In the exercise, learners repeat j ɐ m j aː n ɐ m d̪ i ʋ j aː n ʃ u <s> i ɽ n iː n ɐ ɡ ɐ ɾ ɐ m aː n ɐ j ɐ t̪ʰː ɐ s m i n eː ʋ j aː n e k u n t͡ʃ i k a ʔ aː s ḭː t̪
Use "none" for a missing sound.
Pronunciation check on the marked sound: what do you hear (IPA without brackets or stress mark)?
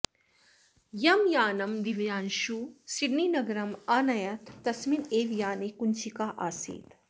s